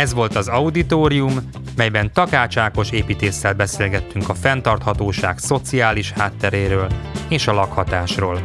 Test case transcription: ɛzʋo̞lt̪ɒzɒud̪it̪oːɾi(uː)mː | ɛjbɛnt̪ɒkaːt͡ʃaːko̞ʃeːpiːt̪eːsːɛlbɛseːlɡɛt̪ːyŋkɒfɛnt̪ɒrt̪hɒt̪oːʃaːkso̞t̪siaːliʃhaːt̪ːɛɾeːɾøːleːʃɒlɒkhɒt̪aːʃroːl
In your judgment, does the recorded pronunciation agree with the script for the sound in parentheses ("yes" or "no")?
no